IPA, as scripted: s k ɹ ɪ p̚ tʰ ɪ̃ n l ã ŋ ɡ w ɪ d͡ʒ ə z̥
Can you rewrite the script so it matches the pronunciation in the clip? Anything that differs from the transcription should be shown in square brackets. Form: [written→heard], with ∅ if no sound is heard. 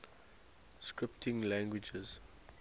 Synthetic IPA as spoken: s k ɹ ɪ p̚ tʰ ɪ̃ [n→ŋ] l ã ŋ ɡ w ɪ d͡ʒ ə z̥